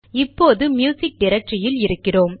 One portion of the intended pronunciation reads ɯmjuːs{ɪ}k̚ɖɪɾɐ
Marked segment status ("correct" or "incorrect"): correct